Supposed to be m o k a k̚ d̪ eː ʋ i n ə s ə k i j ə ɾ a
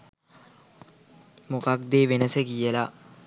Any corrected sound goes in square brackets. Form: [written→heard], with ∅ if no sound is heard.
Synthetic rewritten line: m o k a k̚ d̪ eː ʋ [i→e] n ə s ə k i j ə [ɾ→l] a